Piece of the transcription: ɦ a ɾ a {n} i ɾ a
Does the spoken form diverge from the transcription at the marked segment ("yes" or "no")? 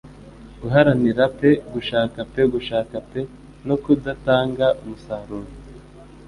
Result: no